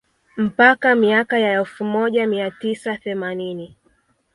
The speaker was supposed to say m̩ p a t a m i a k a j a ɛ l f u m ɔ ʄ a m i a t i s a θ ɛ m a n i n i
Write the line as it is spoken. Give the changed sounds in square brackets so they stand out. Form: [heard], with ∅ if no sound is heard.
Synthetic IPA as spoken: m̩ p a [k] a m i a k a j a ɛ l f u m ɔ ʄ a m i a t i s a θ ɛ m a n i n i